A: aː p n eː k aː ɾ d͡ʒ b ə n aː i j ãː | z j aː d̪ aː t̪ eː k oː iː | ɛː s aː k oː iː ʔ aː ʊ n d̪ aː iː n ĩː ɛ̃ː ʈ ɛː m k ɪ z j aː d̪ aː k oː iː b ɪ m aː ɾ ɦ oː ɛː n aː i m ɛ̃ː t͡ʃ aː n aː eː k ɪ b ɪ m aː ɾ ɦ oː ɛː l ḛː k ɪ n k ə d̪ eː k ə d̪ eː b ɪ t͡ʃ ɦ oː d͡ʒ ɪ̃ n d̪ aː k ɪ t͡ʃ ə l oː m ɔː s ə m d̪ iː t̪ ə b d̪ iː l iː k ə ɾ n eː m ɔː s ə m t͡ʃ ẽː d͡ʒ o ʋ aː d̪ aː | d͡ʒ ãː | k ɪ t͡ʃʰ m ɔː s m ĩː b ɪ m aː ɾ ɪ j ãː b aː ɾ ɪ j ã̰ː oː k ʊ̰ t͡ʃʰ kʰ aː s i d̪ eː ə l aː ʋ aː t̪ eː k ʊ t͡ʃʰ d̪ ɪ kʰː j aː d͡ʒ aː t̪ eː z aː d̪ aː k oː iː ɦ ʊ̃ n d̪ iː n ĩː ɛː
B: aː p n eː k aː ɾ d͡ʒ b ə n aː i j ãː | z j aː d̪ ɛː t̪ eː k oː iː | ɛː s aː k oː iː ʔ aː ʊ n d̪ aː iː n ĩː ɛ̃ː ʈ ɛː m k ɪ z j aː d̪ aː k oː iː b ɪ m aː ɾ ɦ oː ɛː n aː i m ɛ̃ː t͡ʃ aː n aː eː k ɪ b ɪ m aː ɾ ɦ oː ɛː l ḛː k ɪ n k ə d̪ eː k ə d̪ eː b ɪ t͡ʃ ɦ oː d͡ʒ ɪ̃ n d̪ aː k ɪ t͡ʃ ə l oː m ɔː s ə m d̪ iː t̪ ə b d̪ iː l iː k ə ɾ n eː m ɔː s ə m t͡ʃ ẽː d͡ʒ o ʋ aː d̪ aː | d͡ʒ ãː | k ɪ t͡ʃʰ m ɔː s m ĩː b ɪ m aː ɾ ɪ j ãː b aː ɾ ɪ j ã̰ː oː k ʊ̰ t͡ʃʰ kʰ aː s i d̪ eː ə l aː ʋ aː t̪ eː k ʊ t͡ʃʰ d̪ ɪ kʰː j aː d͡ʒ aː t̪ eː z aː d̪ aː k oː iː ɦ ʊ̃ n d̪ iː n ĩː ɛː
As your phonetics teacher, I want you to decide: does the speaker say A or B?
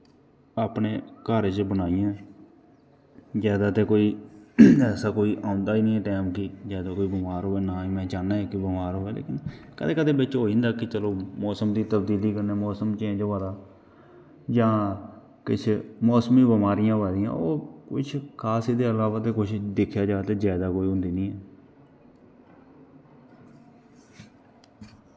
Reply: A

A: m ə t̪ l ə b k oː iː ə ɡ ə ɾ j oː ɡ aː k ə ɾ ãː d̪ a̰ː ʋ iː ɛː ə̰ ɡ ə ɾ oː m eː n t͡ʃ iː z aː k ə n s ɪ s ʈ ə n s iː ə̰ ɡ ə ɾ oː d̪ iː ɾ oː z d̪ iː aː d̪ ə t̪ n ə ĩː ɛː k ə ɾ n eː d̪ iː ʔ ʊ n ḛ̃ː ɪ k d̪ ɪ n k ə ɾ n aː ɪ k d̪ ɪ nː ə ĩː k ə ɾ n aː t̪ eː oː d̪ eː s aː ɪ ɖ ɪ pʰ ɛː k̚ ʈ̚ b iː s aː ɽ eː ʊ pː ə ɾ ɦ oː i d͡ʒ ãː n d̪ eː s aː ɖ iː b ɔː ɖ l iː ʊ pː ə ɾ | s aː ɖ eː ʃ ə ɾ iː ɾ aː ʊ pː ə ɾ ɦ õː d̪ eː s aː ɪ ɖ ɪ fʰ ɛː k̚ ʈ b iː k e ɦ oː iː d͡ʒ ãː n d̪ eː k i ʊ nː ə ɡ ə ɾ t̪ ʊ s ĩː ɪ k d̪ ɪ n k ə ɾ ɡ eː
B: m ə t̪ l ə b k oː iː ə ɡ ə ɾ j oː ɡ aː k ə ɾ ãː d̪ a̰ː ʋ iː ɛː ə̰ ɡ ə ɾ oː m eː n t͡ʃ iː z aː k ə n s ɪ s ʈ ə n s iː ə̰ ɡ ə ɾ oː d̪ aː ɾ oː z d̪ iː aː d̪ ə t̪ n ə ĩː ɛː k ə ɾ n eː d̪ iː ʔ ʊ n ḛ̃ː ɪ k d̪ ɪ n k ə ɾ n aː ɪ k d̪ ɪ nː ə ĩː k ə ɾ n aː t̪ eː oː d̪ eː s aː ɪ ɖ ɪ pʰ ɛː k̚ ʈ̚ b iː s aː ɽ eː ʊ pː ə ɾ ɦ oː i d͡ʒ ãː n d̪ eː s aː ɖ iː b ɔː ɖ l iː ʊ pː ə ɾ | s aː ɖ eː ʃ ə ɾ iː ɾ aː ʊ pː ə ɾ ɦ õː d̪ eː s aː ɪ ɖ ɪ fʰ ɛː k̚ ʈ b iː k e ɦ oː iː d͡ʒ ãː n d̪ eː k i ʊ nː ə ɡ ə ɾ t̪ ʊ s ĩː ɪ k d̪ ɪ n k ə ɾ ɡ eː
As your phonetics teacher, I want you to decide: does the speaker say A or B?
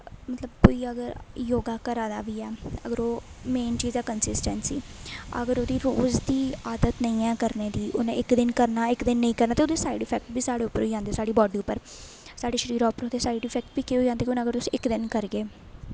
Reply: A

